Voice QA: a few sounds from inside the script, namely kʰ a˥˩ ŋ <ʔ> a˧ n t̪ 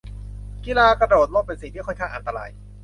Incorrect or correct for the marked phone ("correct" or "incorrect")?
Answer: correct